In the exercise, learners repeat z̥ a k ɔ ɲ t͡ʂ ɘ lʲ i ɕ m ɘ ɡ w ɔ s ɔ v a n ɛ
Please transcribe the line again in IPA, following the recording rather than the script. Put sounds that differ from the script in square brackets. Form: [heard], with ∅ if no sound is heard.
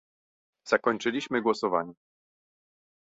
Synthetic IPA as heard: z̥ a k ɔ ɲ t͡ʂ ɘ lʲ i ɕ m ɘ ɡ w ɔ s ɔ v a [ɲ] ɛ